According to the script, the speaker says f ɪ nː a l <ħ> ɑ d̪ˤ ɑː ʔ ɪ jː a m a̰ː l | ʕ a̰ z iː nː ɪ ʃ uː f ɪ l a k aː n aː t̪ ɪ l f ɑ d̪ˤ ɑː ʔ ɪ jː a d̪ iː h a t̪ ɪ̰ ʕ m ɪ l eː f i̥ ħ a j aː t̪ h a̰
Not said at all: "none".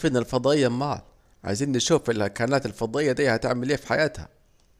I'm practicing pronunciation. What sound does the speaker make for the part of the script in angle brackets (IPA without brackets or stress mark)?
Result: f